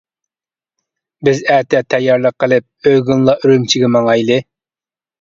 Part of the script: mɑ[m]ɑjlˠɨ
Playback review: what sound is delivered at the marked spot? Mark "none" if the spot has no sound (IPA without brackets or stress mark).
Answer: ŋ